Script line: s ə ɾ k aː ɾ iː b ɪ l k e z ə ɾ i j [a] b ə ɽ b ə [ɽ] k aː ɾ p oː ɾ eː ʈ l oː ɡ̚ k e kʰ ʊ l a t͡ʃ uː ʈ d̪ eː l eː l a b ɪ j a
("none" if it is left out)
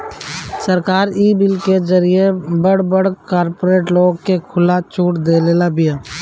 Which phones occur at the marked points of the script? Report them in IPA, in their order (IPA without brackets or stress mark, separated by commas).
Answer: e, ɽ